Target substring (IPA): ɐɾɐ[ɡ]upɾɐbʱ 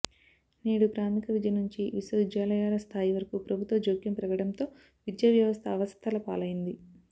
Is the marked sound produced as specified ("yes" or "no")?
no